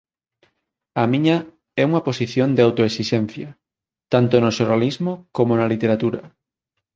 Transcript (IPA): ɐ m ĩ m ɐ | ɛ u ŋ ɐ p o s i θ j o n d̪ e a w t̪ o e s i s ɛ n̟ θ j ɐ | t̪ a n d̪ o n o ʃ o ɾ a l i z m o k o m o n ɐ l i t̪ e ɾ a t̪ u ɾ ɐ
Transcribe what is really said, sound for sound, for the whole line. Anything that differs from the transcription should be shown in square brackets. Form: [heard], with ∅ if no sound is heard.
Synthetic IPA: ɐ m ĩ [ɲ] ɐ | ɛ u ŋ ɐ p o s i θ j o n d̪ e a w t̪ o e s i [ʃ] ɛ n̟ θ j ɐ | t̪ a n [t̪] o n o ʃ o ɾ a l i z m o k o m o n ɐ l i t̪ e ɾ a t̪ u ɾ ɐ